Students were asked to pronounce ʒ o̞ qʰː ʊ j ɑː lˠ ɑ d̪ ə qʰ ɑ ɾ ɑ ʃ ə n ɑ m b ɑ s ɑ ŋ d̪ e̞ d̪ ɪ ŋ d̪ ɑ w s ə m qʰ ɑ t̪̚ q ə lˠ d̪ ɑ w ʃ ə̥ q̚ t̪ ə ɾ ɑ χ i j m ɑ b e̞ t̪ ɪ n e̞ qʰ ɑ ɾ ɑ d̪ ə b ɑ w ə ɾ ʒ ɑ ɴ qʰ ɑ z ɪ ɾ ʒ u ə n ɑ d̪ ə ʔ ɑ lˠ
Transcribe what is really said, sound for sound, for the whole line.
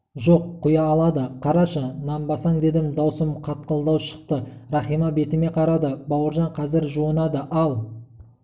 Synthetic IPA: ʒ o̞ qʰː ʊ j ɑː lˠ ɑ d̪ ə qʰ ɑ ɾ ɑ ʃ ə n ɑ m b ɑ s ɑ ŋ d̪ e̞ d̪ ɪ m d̪ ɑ w s ə m qʰ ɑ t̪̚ q ə lˠ d̪ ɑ w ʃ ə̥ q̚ t̪ ə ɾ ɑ χ i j m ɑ b e̞ t̪ ɪ m e̞ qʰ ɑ ɾ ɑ d̪ ə b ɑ w ə ɾ ʒ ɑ ɴ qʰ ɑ z ɪ ɾ ʒ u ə n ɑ d̪ ə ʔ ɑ lˠ

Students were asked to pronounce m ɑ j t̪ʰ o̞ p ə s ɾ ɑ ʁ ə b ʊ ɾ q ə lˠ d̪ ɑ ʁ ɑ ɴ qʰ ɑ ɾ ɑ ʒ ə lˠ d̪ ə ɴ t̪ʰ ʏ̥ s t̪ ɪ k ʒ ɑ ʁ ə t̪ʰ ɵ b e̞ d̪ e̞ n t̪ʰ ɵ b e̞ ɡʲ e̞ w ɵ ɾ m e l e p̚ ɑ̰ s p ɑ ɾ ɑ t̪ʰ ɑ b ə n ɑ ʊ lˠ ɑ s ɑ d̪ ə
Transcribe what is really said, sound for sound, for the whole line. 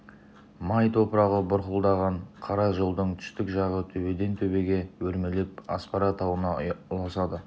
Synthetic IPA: m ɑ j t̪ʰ o̞ p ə ɾ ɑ ʁ ə b ʊ ɾ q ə lˠ d̪ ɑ ʁ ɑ ɴ qʰ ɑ ɾ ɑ ʒ ə lˠ d̪ ə ɴ t̪ʰ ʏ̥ s t̪ ɪ k ʒ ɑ ʁ ə t̪ʰ ɵ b e̞ d̪ e̞ n t̪ʰ ɵ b e̞ ɡʲ e̞ w ɵ ɾ m e l e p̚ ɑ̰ s p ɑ ɾ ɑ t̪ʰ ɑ w ə n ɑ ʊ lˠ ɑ s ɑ d̪ ə

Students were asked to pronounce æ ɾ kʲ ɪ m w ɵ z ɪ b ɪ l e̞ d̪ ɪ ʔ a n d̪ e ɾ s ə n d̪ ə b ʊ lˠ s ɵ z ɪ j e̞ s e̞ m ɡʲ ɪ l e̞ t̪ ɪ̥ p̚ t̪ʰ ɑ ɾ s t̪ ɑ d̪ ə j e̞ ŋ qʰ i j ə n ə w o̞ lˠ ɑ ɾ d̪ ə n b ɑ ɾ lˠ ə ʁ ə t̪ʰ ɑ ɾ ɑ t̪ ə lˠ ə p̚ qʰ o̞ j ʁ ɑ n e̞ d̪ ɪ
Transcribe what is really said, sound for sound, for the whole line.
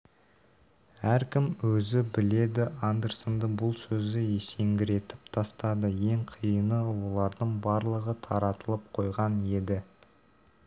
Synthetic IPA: æ ɾ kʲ ɪ m w ɵ z ɪ b ɪ l e̞ d̪ ɪ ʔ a n d̪ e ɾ s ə n d̪ ə b ʊ lˠ s ɵ z ɪ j e̞ s e̞ ŋ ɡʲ ɪ ɾ e̞ t̪ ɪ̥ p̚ t̪ʰ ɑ s t̪ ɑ d̪ ə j e̞ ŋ qʰ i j ə n ə w o̞ lˠ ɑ ɾ d̪ ə ɴ b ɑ ɾ lˠ ə ʁ ə t̪ʰ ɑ ɾ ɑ t̪ ə lˠ ə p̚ qʰ o̞ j ʁ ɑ n e̞ d̪ ɪ

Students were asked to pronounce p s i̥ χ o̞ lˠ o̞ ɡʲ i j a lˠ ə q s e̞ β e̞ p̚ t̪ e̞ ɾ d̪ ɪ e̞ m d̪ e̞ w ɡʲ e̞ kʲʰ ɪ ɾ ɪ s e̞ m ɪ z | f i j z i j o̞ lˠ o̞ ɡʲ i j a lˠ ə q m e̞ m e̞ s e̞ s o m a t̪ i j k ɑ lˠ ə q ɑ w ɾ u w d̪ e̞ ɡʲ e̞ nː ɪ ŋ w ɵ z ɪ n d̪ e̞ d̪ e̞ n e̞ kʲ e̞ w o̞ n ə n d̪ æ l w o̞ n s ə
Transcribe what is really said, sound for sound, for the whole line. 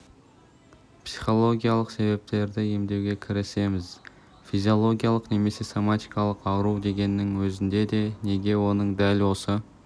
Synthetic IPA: p s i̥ χ o̞ lˠ o̞ ɡʲ i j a lˠ ə q s e̞ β e̞ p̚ t̪ e̞ ɾ d̪ ɪ e̞ m d̪ e̞ w ɡʲ e̞ kʲʰ ɪ ɾ ɪ s e̞ m ɪ z | f i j z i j o̞ lˠ o̞ ɡʲ i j a lˠ ə q n e̞ m e̞ s e̞ s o m a t̪ i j k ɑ lˠ ə q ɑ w ɾ u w d̪ e̞ ɡʲ e̞ nː ɪ ŋ w ɵ z ɪ n d̪ e̞ d̪ e̞ n e̞ ɡʲ e̞ w o̞ n ə ɴ d̪ æ l w o̞ s ə

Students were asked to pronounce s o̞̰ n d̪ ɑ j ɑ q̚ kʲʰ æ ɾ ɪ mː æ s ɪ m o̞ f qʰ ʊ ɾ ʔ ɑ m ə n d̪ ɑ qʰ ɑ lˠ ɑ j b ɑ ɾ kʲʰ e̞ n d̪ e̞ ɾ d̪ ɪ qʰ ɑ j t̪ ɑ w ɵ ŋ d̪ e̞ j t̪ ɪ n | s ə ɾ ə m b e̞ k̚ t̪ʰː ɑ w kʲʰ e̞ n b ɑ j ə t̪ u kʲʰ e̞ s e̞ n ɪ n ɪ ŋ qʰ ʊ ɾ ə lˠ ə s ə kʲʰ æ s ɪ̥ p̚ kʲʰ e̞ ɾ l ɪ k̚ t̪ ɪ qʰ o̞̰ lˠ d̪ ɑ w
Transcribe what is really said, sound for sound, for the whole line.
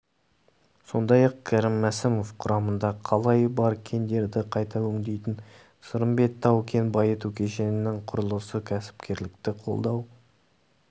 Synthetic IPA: s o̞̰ n d̪ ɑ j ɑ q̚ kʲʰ æ ɾ ɪ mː æ s ɪ m o̞ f qʰ ʊ ɾ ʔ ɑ m ə n d̪ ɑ qʰ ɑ lˠ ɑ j b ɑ ɾ kʲʰ e̞ n d̪ e̞ ɾ d̪ ɪ qʰ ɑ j t̪ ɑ w ɵ ŋ d̪ e̞ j t̪ ɪ n | s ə ɾ ə m b e̞ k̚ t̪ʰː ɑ w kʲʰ e̞ n b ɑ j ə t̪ u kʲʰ e̞ ʃ e̞ n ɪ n ɪ ŋ qʰ ʊ ɾ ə lˠ ə s ə kʲʰ æ s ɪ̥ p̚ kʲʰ e̞ ɾ l ɪ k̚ t̪ ɪ qʰ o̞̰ lˠ d̪ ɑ w

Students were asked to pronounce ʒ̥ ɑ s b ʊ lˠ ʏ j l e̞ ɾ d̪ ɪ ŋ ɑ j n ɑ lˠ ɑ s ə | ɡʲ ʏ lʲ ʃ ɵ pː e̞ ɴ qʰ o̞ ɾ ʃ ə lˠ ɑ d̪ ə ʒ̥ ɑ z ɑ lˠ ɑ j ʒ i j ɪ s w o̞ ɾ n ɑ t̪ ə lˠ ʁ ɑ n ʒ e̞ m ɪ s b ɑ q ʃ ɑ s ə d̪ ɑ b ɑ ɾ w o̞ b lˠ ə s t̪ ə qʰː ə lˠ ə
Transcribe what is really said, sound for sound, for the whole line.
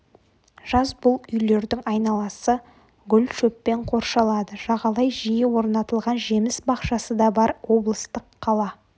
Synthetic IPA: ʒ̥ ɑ z b ʊ lˠ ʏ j l e̞ ɾ d̪ ɪ ŋ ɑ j n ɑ lˠ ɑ s ə | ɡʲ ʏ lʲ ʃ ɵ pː e̞ ɴ qʰ o̞ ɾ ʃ ɑ lˠ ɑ d̪ ə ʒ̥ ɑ ʁ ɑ lˠ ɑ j ʒ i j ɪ w o̞ ɾ n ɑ t̪ ə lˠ ʁ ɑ n ʒ e̞ m ɪ s b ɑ q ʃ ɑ s ə d̪ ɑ b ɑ ɾ w o̞ b lˠ ə s t̪ ə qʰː ɑ lˠ ɑ

